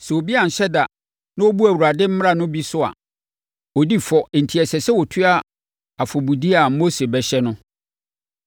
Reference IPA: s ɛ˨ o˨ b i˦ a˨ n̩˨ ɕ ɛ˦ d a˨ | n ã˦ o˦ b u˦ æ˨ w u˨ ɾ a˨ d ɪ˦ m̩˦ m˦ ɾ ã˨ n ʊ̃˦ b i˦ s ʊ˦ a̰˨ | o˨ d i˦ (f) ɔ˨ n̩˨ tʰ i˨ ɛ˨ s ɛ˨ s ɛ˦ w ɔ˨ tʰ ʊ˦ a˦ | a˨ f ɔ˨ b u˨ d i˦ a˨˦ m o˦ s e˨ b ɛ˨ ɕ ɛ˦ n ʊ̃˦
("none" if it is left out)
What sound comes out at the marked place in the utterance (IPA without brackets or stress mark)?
f